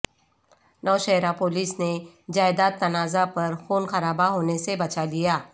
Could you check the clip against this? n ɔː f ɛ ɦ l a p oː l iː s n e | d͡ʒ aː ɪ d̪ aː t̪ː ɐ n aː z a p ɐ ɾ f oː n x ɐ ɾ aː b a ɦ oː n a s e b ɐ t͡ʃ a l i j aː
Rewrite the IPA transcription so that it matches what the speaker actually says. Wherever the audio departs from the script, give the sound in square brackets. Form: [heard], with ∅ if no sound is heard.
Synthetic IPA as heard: n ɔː [ʃ] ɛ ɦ [ɾ] a p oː l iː s n e | d͡ʒ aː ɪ d̪ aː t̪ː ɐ n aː z a p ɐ ɾ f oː n x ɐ ɾ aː b a ɦ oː n [e] s e b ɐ t͡ʃ a l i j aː